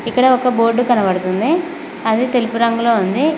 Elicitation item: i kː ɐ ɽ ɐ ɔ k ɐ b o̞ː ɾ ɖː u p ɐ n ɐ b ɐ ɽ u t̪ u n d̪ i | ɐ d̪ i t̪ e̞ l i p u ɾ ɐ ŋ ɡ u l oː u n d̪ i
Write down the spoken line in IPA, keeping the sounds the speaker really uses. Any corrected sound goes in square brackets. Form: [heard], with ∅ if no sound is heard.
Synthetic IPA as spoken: i kː ɐ ɽ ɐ ɔ k ɐ b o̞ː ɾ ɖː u [k] ɐ n ɐ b ɐ ɽ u t̪ u n d̪ i | ɐ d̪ i t̪ e̞ l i p u ɾ ɐ ŋ ɡ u l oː u n d̪ i